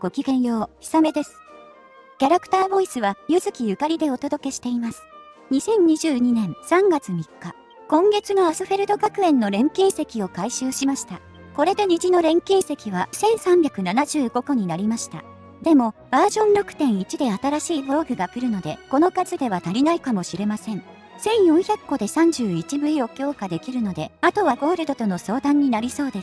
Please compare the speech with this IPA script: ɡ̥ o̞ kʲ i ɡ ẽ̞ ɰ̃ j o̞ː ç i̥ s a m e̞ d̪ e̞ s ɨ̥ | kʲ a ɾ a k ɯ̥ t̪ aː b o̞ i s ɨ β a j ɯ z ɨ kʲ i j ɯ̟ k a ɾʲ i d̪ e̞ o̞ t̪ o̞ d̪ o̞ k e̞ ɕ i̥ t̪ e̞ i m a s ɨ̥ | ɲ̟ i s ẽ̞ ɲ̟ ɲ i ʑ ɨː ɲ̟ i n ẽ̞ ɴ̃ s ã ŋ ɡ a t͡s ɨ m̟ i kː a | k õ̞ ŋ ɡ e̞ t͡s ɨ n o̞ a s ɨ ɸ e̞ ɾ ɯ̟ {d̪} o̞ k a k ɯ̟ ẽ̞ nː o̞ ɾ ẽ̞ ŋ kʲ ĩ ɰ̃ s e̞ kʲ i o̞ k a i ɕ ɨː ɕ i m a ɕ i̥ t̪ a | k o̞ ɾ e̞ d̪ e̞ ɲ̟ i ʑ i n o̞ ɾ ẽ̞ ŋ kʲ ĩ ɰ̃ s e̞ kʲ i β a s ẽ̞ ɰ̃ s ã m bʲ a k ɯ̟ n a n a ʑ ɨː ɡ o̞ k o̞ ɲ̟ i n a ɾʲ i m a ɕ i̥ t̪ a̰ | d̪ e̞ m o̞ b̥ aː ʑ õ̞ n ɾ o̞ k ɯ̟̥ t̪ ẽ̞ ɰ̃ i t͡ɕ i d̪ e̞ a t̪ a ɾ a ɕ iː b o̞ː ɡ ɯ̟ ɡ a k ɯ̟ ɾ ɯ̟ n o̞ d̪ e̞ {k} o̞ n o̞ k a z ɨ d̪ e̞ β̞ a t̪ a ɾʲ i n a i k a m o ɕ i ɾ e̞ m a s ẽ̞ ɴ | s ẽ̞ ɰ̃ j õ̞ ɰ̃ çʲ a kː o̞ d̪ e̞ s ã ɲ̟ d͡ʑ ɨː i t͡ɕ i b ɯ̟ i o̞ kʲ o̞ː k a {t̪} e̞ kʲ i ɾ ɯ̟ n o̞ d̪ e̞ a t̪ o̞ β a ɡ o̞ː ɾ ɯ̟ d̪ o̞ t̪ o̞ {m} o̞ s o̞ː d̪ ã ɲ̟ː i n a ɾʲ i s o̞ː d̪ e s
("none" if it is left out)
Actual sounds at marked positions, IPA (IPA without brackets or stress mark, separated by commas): d̪, k, d̪, n